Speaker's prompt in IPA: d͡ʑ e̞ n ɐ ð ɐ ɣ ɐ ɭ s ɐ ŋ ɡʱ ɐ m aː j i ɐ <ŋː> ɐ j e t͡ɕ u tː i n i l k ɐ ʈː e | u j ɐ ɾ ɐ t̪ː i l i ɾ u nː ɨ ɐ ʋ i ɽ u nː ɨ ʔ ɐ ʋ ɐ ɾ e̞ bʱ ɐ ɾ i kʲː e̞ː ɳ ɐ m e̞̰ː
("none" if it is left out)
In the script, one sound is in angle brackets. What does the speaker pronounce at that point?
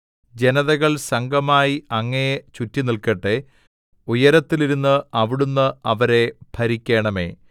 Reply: ŋː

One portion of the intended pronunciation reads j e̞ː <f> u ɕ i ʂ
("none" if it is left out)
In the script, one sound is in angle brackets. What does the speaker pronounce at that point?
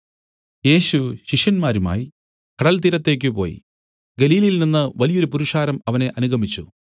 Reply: ɕ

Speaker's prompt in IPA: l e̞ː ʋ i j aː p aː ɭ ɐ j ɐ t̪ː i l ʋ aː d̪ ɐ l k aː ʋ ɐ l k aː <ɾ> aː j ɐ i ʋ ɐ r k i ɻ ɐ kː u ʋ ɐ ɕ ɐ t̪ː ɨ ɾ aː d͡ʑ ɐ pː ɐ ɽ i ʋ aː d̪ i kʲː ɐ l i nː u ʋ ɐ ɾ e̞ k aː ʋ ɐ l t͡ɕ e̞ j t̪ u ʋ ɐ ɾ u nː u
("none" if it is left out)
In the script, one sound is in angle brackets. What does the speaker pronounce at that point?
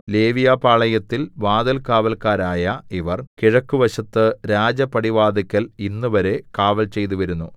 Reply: ɾ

